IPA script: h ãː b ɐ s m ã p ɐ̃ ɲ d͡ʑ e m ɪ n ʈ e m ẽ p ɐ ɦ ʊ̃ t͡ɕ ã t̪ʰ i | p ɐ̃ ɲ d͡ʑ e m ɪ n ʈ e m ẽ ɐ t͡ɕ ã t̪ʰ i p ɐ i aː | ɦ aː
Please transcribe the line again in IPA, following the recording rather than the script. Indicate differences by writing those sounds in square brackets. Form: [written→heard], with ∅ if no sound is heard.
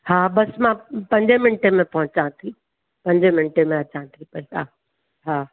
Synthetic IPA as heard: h [ãː→aː] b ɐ s m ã p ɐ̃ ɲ d͡ʑ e m ɪ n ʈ e m ẽ p ɐ ɦ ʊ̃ t͡ɕ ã t̪ʰ i | p ɐ̃ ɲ d͡ʑ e m ɪ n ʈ e m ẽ ɐ t͡ɕ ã t̪ʰ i p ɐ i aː | ɦ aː